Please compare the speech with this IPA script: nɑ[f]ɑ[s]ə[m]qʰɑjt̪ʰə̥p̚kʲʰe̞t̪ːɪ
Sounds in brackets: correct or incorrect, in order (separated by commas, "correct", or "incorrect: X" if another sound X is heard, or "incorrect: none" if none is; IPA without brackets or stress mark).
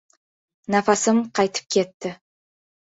correct, correct, correct